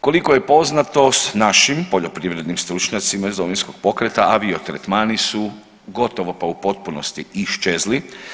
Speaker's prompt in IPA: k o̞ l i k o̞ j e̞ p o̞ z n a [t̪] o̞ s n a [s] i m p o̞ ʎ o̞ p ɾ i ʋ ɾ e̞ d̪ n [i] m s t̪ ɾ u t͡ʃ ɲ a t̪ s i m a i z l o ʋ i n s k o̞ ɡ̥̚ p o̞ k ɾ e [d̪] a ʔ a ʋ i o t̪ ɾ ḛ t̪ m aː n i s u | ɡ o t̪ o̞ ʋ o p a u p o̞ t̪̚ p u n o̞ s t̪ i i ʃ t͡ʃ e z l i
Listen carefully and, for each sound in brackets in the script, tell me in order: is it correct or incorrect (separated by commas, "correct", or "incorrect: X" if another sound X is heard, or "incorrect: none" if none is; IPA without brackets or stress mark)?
correct, incorrect: ʃ, correct, incorrect: t̪